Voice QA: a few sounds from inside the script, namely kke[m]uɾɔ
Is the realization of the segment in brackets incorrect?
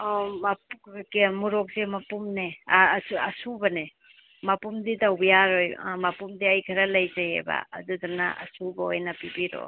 no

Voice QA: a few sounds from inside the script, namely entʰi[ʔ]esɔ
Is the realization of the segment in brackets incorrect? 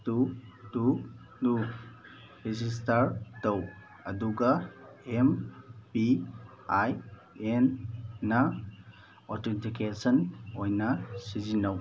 yes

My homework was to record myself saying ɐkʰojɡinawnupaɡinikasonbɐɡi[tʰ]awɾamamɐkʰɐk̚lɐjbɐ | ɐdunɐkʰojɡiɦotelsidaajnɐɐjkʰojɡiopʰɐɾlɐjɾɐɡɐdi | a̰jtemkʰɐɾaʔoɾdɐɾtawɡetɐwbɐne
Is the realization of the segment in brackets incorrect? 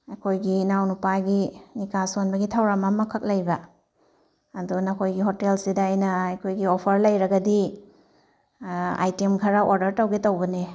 no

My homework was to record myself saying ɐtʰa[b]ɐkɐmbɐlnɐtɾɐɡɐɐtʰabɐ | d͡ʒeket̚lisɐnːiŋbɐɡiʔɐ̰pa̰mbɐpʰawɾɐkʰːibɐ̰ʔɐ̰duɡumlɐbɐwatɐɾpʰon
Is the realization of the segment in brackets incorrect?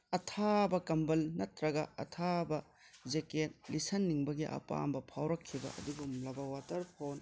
no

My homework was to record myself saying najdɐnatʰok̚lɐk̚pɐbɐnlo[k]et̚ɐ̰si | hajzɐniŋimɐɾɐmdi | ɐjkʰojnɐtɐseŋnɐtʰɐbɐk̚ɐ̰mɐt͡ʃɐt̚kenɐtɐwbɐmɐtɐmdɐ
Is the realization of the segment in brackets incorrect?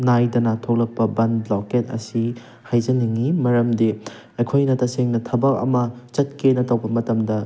no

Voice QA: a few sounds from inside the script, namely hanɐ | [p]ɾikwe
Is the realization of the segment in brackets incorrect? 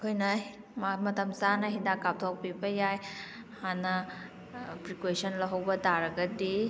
no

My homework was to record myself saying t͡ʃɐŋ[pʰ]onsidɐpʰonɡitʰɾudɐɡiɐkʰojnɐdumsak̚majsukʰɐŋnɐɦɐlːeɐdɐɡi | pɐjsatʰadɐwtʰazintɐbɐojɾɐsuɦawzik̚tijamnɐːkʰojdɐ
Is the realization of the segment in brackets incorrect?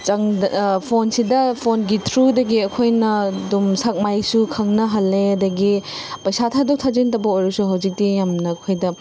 no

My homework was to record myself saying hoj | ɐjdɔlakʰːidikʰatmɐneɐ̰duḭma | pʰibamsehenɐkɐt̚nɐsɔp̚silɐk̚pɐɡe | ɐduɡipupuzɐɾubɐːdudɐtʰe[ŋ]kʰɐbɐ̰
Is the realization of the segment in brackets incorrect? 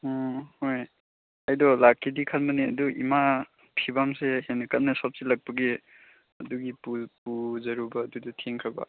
no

